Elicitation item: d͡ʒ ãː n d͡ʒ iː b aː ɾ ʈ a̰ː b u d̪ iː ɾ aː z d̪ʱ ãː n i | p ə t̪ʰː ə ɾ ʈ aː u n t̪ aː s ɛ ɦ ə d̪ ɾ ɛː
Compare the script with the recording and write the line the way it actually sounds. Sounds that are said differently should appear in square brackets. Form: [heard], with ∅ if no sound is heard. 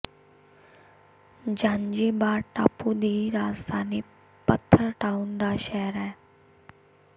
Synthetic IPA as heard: d͡ʒ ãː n d͡ʒ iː b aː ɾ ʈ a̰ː [p] u d̪ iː ɾ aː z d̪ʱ [aː] n i | p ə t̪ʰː ə ɾ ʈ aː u n [d̪] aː [ʃ] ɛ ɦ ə [∅] ɾ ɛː